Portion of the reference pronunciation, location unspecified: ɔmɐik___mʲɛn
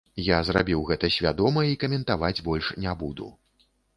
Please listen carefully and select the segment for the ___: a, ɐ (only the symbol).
ɐ